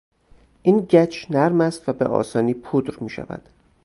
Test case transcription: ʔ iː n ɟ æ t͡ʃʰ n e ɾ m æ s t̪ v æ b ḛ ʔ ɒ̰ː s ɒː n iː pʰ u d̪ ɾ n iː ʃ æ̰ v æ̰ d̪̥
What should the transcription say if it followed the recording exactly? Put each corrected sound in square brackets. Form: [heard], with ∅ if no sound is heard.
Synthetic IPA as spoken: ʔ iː n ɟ æ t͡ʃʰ n [æ] ɾ m æ s t̪ v æ b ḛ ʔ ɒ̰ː s ɒː n iː pʰ u d̪ ɾ [m] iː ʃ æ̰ v æ̰ d̪̥